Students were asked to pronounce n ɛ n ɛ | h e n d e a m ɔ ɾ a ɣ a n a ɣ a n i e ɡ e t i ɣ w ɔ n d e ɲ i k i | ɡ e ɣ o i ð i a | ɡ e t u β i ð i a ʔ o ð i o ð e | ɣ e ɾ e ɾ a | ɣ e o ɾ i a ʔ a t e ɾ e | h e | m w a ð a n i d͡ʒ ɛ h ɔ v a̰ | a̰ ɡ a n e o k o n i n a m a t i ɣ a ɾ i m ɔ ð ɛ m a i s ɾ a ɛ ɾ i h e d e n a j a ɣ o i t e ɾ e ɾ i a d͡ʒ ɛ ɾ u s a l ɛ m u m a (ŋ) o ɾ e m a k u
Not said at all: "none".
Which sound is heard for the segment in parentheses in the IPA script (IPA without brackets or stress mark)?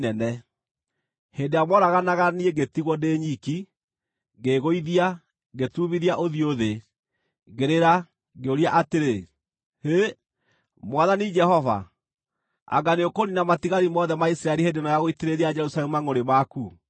ŋ